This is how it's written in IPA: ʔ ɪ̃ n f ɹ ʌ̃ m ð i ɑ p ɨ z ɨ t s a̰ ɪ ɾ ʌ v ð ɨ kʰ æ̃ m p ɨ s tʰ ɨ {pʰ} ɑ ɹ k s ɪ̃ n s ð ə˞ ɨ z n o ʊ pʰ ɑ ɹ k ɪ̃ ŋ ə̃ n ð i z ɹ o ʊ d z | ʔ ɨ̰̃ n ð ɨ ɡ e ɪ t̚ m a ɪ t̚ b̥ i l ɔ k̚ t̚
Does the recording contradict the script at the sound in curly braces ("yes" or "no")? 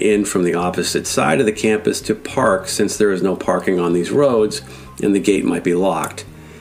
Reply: no